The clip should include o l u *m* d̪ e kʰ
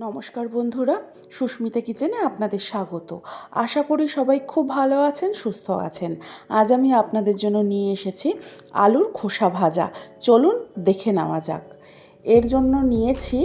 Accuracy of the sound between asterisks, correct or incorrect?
incorrect